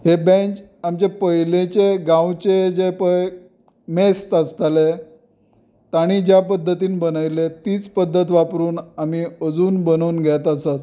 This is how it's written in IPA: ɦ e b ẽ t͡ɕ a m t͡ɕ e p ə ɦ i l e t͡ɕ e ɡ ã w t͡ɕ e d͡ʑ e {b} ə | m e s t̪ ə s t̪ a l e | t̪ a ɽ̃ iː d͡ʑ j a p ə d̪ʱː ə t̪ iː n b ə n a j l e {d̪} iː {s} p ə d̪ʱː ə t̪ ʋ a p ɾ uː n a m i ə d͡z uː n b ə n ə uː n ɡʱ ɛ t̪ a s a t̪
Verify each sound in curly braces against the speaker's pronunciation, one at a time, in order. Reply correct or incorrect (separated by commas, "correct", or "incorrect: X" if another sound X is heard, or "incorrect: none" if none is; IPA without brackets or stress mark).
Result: incorrect: p, incorrect: t̪, incorrect: t͡s